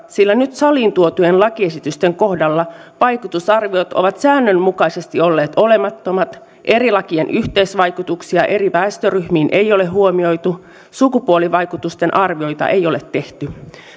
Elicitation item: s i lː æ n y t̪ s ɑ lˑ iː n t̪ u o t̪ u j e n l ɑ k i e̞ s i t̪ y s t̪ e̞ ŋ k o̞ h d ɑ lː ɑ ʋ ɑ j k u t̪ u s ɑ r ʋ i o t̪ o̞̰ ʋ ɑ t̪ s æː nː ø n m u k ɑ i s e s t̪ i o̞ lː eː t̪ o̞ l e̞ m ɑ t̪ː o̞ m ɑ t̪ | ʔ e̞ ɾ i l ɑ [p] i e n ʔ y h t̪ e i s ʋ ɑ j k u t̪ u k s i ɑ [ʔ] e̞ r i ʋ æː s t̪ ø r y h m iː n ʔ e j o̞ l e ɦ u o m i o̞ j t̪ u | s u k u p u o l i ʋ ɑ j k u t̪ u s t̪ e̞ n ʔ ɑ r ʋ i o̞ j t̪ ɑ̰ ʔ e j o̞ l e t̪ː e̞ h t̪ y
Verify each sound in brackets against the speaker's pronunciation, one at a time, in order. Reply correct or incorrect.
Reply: incorrect: k, correct

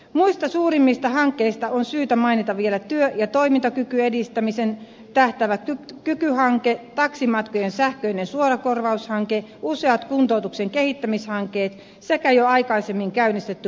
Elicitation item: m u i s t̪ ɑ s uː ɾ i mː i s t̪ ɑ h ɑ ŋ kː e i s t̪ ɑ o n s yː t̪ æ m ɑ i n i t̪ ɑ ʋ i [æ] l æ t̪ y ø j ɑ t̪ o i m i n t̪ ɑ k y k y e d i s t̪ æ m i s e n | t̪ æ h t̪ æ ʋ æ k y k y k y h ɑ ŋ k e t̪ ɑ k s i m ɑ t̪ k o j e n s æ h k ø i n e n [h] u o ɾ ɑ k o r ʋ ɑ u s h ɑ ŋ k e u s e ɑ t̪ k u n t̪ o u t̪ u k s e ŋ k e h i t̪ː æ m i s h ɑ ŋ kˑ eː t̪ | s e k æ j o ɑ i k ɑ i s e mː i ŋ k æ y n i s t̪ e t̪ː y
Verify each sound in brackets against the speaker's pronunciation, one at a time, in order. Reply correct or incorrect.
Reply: incorrect: e, incorrect: s

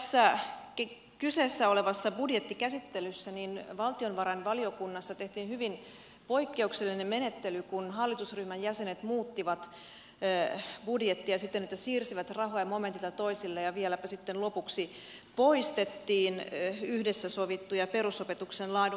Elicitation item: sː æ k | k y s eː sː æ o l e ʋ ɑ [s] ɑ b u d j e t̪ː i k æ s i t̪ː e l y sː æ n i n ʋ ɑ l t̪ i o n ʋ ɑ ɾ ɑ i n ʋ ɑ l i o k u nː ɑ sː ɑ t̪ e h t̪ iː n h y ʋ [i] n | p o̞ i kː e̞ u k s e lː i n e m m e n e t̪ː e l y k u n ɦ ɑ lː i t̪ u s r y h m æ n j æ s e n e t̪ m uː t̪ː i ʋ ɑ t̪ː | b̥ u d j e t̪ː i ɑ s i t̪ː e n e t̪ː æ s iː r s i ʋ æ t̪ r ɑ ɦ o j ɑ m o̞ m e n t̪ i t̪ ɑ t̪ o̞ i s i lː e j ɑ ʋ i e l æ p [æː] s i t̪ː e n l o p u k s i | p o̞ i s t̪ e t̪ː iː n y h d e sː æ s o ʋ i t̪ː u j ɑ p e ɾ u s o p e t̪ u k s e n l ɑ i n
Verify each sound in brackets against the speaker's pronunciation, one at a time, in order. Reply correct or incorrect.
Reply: incorrect: sː, correct, incorrect: æ

